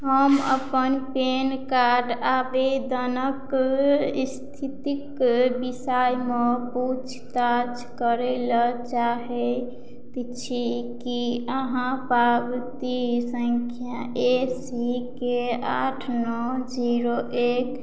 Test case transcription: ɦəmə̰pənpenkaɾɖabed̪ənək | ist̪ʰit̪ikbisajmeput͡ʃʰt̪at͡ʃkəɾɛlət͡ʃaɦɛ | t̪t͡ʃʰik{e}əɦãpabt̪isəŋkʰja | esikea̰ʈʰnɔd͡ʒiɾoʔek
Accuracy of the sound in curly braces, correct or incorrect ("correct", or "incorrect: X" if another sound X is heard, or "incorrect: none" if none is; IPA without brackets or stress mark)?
incorrect: i